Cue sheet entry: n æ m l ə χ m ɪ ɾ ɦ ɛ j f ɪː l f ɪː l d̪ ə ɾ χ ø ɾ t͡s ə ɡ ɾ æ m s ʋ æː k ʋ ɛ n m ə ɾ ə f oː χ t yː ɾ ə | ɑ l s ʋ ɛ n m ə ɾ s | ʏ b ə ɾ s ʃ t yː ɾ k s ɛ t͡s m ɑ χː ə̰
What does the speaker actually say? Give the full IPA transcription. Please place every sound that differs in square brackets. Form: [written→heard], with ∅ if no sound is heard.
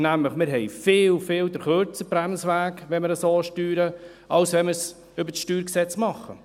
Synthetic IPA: n æ m l ə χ m ɪ ɾ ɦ ɛ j f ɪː l f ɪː l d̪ ə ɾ χ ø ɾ t͡s ə [ɡ→b] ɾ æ m s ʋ æː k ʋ ɛ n m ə ɾ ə [f→s] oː [χ→ʃ] t yː ɾ ə | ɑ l s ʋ ɛ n m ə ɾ s | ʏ b ə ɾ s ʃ t yː ɾ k s ɛ t͡s m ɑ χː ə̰